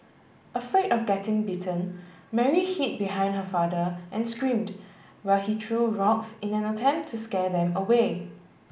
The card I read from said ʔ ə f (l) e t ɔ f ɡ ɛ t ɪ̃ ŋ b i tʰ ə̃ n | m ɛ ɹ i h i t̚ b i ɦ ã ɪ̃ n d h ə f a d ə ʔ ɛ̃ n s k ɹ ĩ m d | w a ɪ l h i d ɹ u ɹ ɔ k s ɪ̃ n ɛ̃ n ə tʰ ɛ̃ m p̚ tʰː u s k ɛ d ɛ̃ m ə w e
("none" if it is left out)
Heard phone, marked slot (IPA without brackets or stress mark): ɹ